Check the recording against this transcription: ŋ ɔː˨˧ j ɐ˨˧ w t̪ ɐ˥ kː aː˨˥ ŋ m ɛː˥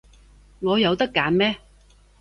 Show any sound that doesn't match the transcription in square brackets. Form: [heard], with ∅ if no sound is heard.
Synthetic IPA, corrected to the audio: ŋ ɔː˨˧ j ɐ˨˧ w t̪ ɐ˥ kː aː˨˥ [n] m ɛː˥